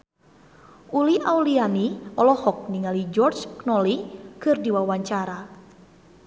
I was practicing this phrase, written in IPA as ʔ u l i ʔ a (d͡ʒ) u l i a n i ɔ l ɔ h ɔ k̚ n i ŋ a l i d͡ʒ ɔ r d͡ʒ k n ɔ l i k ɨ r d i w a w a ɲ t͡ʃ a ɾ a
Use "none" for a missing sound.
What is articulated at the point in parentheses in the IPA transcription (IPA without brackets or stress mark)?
none